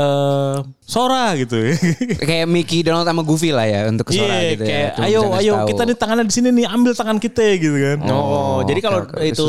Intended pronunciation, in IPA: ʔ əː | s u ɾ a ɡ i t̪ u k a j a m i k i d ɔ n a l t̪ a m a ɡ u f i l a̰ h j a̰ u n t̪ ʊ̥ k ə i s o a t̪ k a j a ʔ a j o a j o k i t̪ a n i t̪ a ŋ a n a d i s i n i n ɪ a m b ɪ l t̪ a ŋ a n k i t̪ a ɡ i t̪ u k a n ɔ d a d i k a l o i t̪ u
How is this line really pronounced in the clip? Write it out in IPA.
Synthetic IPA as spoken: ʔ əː | s o ɾ a ɡ i t̪ u k a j a m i k i d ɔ n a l t̪ a m a ɡ u f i l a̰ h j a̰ u n t̪ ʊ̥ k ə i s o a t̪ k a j a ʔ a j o a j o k i t̪ a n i t̪ a ŋ a n a d i s i n i n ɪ a m b ɪ l t̪ a ŋ a n k i t̪ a ɡ i t̪ u k a n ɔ d͡ʒ a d i k a l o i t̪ u